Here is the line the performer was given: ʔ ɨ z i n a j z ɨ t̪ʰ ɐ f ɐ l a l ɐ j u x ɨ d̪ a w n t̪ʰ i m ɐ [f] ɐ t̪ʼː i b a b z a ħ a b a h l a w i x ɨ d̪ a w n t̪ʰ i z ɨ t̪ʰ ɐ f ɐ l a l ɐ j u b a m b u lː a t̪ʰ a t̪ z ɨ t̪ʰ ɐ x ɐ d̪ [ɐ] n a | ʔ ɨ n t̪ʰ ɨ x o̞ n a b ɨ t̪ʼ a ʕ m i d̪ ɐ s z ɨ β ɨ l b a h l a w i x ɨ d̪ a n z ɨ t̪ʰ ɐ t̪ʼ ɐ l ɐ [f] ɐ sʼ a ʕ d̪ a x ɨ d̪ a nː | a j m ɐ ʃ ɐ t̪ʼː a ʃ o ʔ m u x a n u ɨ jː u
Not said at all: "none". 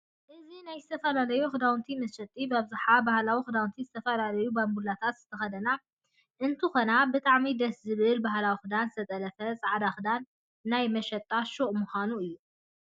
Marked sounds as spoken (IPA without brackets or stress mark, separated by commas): ʃ, ɐ, f